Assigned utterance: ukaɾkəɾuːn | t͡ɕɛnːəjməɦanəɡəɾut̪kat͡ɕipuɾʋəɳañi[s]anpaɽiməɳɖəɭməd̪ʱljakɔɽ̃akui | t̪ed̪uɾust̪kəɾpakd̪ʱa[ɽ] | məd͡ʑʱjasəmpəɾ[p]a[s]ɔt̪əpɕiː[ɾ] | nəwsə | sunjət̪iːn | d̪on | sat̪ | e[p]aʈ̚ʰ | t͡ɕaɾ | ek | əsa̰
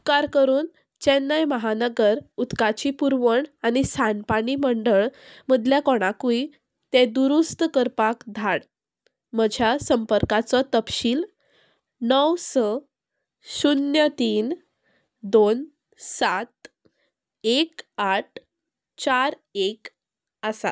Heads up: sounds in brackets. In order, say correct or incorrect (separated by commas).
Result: correct, correct, incorrect, incorrect, incorrect, incorrect